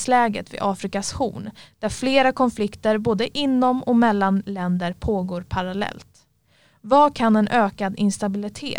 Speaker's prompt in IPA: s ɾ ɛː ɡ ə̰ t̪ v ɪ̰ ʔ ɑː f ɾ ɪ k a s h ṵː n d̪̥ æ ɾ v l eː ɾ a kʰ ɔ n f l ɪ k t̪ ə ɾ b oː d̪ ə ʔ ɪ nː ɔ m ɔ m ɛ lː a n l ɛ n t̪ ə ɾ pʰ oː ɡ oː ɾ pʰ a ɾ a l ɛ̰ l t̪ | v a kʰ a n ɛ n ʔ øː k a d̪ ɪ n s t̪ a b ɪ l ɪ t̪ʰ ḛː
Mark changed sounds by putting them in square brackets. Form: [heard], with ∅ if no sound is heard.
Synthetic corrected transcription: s [l] ɛː ɡ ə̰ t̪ v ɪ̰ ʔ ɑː f ɾ ɪ k a s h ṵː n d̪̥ æ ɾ [f] l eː ɾ a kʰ ɔ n f l ɪ k t̪ ə ɾ b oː d̪ ə ʔ ɪ nː ɔ m ɔ m ɛ lː a n l ɛ n [d̪] ə ɾ pʰ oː ɡ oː ɾ pʰ a ɾ a l ɛ̰ l t̪ | v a kʰ a n ɛ n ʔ øː k a d̪ ɪ n s t̪ a b ɪ l ɪ t̪ʰ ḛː